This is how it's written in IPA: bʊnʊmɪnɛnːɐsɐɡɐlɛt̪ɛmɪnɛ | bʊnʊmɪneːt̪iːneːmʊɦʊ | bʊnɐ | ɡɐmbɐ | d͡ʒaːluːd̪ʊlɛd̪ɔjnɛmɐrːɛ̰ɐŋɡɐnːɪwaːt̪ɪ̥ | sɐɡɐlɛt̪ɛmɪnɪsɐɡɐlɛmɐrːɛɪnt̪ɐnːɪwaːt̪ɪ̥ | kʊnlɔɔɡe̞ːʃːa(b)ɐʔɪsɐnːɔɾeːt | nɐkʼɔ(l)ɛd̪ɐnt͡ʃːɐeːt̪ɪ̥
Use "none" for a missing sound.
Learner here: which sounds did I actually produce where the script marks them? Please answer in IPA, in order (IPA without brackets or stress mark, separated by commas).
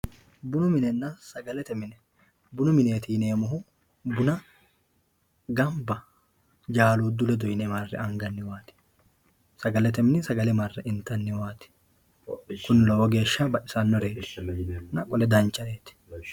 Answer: b, l